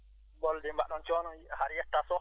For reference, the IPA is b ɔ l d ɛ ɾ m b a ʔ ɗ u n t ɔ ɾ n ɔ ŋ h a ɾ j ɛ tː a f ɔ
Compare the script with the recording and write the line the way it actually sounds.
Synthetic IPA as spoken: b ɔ l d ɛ m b a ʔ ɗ ɔ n t͡ʃ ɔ n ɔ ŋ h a ɾ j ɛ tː a s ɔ